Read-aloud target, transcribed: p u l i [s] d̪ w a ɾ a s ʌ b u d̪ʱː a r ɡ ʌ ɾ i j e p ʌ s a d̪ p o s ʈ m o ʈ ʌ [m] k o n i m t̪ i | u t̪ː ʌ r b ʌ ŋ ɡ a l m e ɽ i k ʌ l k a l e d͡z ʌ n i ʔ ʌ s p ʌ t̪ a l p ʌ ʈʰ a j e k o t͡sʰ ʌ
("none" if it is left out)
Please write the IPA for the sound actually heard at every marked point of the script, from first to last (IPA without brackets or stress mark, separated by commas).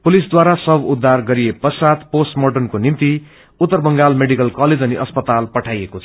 s, n